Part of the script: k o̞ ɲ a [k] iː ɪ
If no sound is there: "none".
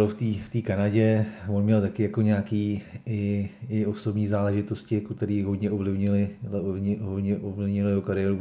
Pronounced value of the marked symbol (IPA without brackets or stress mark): k